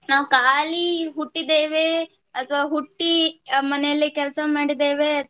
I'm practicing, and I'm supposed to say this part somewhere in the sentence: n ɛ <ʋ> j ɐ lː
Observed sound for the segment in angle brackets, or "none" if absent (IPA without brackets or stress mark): none